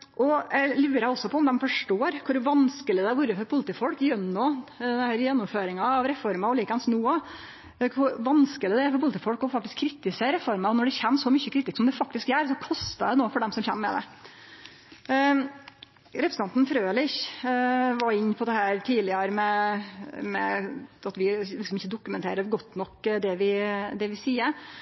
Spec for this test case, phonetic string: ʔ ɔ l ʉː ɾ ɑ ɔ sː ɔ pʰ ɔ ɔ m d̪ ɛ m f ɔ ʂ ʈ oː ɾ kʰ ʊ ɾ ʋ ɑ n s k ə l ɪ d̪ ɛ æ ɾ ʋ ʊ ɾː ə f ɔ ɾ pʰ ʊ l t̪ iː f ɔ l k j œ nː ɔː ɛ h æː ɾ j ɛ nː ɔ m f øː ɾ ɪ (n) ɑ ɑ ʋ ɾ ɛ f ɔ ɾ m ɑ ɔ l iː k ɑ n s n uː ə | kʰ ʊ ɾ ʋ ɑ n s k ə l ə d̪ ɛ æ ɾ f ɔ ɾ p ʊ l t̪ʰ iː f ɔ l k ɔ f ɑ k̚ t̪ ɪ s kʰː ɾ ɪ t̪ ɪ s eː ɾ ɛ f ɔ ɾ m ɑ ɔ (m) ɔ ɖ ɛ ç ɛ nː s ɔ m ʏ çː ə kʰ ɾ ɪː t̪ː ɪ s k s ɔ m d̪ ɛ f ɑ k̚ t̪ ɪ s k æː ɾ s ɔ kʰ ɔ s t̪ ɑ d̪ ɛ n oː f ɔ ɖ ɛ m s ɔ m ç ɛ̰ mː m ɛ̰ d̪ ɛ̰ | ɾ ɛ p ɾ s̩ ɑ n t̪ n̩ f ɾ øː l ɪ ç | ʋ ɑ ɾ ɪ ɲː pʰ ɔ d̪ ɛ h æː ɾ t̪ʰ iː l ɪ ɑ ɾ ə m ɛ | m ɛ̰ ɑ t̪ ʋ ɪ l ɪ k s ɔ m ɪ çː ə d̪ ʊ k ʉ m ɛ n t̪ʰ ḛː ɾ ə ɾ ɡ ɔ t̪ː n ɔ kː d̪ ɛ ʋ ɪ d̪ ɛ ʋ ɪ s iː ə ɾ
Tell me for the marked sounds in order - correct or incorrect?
incorrect: ŋ, incorrect: n

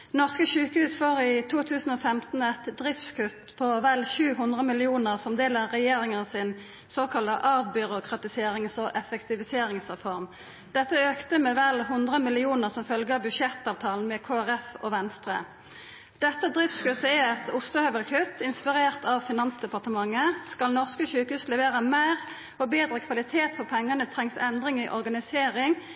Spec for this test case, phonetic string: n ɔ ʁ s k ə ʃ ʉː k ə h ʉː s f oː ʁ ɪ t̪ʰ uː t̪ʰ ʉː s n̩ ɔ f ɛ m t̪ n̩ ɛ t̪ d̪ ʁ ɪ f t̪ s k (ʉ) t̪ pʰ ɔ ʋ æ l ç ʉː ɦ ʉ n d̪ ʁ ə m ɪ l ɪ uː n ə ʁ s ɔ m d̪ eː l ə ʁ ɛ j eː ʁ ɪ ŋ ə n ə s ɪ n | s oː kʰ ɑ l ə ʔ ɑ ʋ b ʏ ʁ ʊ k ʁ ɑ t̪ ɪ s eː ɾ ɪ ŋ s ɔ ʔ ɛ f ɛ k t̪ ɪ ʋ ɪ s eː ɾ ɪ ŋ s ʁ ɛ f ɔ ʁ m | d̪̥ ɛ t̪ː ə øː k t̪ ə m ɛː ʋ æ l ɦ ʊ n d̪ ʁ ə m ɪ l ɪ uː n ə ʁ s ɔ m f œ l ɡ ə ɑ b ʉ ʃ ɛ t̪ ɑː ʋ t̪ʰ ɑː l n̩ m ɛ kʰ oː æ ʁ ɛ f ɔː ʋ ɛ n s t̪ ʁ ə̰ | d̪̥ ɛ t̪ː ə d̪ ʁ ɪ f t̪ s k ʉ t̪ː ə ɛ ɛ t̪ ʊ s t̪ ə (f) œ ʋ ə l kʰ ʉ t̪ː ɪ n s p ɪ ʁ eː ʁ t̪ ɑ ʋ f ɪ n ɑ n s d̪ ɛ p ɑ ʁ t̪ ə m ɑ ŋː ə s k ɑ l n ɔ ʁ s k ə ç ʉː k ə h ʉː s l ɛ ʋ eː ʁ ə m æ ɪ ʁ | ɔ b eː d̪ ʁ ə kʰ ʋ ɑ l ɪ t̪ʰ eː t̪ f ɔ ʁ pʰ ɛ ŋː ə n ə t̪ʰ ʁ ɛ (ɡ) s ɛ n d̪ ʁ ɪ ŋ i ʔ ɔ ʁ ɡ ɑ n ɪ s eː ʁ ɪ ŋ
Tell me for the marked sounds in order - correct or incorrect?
correct, incorrect: h, incorrect: ŋ

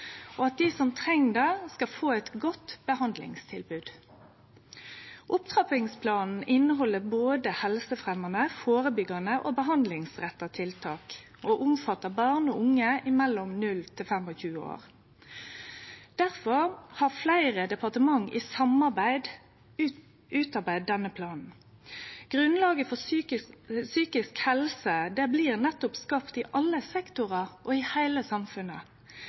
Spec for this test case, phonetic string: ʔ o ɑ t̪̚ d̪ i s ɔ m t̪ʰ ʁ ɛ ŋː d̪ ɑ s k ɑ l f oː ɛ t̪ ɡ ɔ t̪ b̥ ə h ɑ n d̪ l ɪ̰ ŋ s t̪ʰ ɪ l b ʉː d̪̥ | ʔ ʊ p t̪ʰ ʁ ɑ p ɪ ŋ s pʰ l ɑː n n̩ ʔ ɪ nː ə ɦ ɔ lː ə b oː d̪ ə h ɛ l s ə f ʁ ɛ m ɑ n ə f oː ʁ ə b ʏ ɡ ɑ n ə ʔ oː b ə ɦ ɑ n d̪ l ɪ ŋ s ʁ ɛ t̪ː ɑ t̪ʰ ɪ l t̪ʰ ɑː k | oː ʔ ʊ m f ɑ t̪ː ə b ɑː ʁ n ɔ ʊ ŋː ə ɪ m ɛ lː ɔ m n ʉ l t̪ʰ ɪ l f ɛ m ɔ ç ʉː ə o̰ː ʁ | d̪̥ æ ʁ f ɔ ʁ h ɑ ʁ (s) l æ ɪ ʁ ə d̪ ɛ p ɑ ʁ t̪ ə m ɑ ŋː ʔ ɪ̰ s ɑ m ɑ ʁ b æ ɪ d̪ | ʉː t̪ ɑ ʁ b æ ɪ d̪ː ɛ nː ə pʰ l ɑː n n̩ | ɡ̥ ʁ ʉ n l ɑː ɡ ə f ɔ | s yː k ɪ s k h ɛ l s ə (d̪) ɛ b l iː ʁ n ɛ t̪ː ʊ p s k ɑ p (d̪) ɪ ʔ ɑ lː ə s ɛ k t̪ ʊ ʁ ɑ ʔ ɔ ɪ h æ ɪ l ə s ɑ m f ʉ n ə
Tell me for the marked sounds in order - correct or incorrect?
incorrect: f, correct, incorrect: t̪

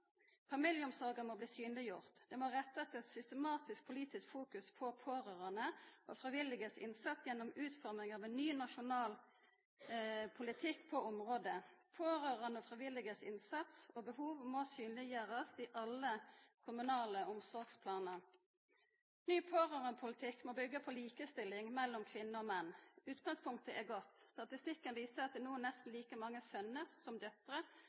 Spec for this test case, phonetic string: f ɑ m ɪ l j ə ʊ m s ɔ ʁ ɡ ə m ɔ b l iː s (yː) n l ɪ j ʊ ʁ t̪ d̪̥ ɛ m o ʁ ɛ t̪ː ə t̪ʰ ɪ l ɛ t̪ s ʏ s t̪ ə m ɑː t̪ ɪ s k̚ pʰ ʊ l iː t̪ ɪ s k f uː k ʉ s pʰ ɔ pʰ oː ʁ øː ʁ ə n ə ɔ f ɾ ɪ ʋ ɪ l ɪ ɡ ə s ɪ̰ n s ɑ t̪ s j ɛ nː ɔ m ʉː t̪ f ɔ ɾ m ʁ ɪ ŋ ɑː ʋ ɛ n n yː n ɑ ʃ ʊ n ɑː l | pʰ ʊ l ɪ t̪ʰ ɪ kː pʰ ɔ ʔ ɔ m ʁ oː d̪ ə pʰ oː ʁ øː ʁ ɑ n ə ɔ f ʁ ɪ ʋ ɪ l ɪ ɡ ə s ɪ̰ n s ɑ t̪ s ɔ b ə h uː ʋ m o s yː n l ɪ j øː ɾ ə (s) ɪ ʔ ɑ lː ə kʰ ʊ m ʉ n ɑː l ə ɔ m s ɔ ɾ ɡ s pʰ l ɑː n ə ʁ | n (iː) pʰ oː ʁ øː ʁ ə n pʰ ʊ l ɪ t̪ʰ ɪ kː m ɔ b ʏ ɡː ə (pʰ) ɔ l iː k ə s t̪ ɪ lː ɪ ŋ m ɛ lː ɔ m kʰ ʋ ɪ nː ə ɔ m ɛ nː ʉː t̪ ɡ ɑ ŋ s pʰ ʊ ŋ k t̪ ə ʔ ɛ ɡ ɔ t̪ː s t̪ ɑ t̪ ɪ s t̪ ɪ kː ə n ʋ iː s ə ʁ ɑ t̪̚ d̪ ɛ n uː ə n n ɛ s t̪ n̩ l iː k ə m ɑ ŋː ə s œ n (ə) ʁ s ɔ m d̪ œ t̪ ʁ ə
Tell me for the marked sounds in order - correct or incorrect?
correct, correct, incorrect: yː, correct, correct

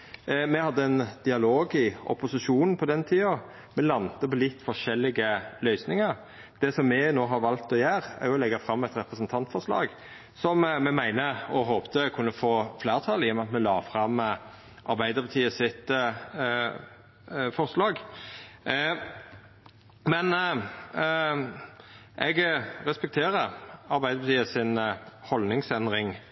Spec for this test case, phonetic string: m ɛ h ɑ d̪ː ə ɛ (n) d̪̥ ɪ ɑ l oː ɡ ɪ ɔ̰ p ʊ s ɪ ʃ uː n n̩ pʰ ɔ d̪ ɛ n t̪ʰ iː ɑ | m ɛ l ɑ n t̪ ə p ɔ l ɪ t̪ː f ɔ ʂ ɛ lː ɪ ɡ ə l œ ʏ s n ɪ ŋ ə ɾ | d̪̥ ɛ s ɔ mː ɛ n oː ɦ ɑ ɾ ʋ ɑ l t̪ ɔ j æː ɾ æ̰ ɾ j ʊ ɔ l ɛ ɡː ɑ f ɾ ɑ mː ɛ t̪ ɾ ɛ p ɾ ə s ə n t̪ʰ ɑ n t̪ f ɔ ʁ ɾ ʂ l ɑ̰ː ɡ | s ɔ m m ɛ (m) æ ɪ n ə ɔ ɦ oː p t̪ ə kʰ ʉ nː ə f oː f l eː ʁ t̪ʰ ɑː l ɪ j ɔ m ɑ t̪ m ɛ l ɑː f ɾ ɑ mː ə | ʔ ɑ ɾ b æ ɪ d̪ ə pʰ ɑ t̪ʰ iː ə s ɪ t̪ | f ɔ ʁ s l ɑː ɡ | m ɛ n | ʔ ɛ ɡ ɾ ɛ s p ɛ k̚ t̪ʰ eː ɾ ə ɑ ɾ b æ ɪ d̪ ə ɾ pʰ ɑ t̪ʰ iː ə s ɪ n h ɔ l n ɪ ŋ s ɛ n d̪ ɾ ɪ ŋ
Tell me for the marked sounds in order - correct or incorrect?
correct, correct

